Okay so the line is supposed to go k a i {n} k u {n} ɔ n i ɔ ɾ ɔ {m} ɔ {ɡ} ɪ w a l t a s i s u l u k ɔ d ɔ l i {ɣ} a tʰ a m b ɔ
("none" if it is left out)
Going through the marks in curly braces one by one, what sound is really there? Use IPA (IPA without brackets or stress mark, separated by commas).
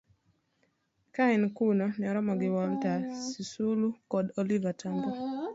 n, n, m, ɡ, v